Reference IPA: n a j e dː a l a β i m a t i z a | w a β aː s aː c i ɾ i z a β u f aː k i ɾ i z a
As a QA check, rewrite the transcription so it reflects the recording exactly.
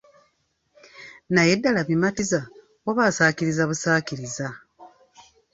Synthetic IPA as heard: n a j e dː a l a β i m a t i z a | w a β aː s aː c i ɾ i z a β u s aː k i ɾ i z a